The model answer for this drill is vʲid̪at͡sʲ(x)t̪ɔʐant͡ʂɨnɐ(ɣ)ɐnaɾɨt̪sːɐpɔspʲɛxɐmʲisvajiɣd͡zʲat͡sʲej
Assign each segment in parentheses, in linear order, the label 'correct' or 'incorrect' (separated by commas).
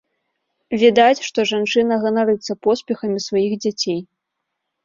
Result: incorrect, correct